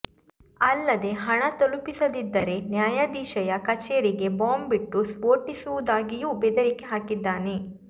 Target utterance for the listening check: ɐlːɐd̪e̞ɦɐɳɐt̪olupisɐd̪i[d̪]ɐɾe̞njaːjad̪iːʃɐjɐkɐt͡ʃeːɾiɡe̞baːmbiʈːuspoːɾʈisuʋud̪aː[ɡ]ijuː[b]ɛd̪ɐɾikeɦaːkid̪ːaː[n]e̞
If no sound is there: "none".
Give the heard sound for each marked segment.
d̪ː, ɡ, b, n

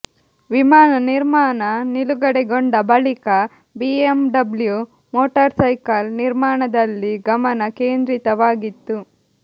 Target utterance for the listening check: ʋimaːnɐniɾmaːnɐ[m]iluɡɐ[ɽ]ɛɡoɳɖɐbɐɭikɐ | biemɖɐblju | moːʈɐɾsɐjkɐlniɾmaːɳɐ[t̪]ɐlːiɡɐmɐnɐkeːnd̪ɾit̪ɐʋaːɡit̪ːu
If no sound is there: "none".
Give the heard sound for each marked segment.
n, ɽ, d̪

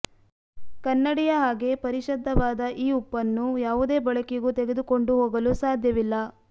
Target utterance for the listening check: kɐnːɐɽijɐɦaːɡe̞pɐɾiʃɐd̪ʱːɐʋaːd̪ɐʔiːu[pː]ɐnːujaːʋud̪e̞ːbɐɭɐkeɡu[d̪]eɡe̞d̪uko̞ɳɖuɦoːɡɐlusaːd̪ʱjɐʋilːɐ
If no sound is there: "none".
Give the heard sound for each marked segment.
pː, t̪

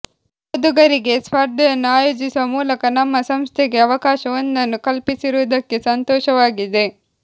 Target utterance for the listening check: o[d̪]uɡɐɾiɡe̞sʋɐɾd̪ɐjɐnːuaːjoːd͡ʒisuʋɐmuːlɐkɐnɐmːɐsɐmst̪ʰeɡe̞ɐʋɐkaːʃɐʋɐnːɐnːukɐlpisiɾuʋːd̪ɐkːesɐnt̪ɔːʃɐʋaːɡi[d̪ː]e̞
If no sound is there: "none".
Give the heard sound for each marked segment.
d̪, d̪

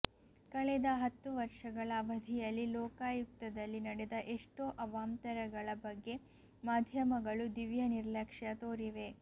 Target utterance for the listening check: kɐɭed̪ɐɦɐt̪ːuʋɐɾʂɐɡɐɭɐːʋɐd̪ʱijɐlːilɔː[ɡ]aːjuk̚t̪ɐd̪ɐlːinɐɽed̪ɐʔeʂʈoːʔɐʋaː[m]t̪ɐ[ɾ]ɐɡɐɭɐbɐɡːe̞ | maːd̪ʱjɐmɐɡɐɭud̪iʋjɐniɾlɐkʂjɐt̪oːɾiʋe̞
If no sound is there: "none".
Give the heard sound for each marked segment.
k, m, ɾ

